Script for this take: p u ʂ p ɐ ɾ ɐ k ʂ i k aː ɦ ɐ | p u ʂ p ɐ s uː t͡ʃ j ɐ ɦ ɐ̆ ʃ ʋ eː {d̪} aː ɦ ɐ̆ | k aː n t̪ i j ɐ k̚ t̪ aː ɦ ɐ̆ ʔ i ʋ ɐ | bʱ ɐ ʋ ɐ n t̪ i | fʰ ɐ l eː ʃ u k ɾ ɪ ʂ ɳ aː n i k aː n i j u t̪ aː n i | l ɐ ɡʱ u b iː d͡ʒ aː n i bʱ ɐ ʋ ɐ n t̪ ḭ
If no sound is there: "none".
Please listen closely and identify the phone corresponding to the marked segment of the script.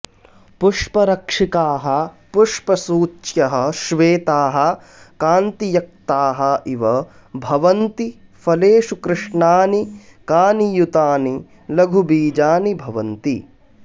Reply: t̪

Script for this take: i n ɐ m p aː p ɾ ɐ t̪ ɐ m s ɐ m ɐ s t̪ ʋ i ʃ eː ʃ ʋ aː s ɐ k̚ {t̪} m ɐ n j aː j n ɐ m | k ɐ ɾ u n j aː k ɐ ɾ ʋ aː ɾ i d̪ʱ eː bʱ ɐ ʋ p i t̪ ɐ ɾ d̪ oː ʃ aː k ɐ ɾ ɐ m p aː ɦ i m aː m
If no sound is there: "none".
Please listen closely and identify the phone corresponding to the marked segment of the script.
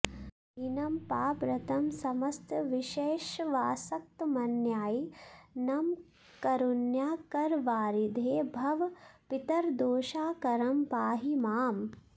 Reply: t̪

